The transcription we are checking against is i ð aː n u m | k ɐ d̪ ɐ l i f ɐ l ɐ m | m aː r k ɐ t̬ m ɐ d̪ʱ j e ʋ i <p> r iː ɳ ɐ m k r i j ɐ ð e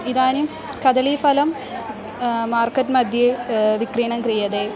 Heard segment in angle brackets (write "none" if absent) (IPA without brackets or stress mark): k